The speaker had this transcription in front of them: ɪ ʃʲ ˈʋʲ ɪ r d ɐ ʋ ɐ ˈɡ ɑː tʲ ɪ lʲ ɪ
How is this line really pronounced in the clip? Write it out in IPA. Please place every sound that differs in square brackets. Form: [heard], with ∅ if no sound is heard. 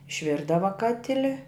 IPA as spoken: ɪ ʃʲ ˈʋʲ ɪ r d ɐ ʋ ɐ [ˈk] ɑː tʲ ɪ lʲ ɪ